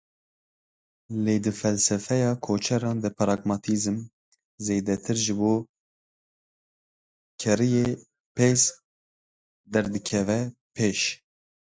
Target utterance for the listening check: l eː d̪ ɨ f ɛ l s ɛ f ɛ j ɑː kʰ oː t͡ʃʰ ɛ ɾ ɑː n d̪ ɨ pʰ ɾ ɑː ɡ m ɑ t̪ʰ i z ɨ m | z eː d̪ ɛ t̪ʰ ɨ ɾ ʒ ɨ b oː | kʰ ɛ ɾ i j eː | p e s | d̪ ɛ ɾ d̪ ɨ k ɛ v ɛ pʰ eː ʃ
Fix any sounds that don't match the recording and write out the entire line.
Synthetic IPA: l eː d̪ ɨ f ɛ l s ɛ f ɛ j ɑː kʰ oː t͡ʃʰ ɛ ɾ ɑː n d̪ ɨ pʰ ɾ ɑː ɡ m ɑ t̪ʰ i z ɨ m | z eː d̪ ɛ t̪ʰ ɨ ɾ ʒ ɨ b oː | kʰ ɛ ɾ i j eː | p e s | d̪ ɛ ɾ d̪ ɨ kʰ ɛ v ɛ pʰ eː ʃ